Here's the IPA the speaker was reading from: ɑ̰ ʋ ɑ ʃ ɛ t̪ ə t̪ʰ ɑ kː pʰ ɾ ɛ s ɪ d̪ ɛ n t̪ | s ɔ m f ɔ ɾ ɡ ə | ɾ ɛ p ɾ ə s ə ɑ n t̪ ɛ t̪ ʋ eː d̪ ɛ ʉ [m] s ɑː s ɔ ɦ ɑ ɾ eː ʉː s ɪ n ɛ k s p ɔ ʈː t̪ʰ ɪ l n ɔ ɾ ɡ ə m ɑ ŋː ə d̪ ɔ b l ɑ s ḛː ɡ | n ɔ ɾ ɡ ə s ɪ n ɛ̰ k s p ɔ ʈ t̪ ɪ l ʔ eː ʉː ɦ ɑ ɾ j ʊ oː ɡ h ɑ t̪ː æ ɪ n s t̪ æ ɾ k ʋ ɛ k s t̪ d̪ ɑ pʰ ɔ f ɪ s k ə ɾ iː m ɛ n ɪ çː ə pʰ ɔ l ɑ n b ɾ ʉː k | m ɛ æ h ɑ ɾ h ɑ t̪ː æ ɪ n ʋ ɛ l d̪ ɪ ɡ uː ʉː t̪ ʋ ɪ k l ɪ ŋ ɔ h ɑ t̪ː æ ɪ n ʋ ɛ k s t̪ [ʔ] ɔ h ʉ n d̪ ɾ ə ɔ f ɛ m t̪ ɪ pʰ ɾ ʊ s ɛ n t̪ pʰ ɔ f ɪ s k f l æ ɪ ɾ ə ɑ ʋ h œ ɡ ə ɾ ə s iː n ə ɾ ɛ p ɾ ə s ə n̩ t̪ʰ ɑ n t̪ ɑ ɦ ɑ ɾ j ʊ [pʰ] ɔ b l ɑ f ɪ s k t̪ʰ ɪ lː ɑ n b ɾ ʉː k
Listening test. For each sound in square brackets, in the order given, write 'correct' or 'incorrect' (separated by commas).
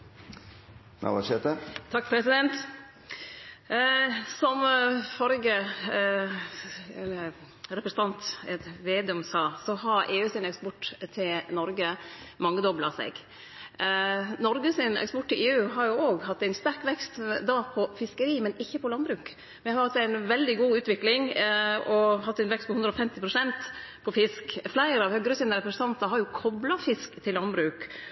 correct, incorrect, incorrect